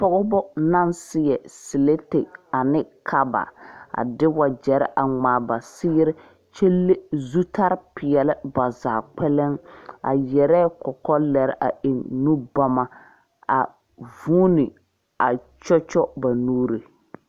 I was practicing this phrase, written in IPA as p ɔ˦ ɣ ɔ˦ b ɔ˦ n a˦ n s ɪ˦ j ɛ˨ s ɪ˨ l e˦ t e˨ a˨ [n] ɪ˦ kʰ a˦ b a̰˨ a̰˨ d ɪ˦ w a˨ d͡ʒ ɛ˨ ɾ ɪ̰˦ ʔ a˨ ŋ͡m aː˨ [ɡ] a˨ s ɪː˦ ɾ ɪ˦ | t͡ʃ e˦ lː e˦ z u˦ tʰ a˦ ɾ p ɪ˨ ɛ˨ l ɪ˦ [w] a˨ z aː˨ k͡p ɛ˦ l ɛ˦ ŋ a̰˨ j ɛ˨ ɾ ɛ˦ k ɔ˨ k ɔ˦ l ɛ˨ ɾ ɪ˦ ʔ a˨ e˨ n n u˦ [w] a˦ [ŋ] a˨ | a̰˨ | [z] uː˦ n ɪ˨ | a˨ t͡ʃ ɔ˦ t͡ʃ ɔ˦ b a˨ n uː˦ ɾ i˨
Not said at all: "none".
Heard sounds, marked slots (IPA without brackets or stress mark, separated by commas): n, b, b, b, m, v